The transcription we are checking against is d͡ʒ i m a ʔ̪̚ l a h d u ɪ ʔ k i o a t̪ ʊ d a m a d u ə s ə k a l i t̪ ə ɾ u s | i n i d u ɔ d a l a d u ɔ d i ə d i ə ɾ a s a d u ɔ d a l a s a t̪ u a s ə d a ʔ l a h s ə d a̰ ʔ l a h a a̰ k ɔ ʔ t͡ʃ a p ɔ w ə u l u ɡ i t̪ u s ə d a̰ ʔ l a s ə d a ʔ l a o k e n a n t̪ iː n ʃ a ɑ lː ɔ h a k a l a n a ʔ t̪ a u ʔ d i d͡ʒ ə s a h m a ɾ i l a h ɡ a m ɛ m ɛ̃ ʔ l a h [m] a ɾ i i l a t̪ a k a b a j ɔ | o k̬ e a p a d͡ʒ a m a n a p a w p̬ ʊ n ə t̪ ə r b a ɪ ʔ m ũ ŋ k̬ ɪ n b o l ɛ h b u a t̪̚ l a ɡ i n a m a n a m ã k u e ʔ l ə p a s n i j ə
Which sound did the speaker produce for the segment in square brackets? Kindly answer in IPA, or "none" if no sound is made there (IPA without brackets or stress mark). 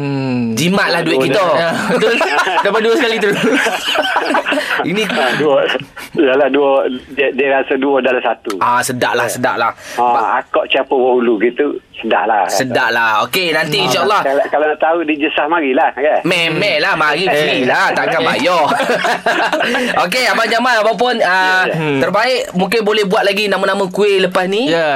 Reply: m